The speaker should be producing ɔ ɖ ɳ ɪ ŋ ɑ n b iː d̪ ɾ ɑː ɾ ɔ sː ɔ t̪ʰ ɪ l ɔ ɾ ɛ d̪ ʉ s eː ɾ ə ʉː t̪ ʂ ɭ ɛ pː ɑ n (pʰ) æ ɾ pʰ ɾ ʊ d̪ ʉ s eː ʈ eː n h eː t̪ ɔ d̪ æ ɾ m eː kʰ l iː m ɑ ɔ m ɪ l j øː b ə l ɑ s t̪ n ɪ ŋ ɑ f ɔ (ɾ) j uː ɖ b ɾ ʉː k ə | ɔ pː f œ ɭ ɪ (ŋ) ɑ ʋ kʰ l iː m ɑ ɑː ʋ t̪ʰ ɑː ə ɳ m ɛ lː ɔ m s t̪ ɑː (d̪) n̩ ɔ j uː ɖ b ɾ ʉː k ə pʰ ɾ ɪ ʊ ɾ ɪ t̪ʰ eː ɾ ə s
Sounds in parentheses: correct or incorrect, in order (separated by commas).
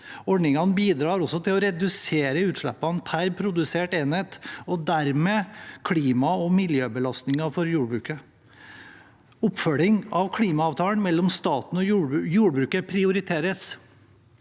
correct, correct, correct, incorrect